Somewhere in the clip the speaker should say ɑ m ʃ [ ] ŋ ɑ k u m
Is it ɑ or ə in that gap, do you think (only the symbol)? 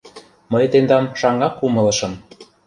ɑ